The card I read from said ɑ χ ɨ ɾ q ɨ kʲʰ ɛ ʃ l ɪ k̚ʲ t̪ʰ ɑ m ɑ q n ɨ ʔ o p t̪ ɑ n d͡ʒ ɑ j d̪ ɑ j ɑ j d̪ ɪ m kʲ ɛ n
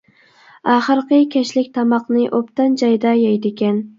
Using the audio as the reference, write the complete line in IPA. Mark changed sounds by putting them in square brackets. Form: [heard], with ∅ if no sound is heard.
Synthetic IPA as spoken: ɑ χ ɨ ɾ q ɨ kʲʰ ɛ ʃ l ɪ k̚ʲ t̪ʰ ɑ m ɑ q n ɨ ʔ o p t̪ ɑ n d͡ʒ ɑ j d̪ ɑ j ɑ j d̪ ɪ [∅] kʲ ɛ n